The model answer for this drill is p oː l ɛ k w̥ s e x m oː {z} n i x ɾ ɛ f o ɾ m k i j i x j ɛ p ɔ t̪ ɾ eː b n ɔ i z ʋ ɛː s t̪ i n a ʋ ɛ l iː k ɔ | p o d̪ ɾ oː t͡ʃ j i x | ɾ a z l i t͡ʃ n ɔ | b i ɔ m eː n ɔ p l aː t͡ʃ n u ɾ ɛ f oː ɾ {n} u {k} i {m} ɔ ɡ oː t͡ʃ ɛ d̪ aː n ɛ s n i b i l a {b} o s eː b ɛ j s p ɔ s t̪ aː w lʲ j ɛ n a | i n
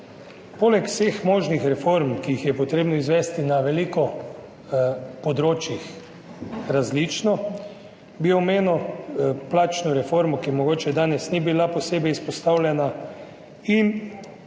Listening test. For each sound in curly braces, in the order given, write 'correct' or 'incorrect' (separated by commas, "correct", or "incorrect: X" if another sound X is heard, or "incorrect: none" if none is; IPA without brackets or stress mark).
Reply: incorrect: ʒ, incorrect: m, correct, correct, incorrect: p